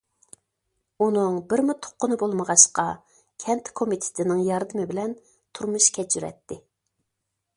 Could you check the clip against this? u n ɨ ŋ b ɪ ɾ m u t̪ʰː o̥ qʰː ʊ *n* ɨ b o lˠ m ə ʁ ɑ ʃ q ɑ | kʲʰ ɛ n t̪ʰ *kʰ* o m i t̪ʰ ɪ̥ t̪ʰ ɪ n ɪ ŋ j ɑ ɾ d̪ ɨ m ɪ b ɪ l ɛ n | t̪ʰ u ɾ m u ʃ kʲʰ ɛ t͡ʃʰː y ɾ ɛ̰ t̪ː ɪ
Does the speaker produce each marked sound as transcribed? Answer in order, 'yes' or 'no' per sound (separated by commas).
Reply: yes, yes